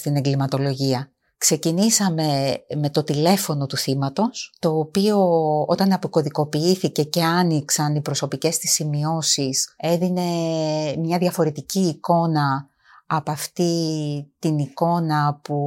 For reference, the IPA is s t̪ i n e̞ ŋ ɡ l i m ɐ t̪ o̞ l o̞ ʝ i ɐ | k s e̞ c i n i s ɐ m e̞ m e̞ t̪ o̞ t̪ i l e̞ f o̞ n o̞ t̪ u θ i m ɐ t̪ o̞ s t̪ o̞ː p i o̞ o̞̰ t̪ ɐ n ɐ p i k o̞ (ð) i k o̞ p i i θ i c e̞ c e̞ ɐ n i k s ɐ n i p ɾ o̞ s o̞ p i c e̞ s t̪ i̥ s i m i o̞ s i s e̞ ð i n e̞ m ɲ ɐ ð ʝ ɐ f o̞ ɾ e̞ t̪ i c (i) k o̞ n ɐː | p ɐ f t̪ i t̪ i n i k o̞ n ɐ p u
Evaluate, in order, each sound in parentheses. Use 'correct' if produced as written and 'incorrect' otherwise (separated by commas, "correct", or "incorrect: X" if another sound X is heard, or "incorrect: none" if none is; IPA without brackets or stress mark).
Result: correct, incorrect: iː